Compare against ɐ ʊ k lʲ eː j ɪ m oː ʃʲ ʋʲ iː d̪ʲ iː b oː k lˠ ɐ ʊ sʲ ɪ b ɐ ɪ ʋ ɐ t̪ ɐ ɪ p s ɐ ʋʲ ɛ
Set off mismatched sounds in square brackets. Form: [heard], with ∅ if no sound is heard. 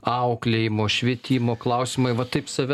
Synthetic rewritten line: ɐ ʊ k lʲ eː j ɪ m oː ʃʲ ʋʲ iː [t̪ʲ] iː [m] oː k lˠ ɐ ʊ sʲ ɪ [m] ɐ ɪ ʋ ɐ t̪ ɐ ɪ p s ɐ ʋʲ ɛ